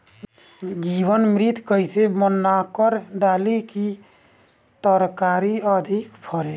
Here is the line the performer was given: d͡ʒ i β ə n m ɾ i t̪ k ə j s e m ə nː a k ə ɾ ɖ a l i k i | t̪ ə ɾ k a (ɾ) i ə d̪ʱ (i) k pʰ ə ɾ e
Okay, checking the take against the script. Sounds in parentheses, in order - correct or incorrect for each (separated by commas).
correct, correct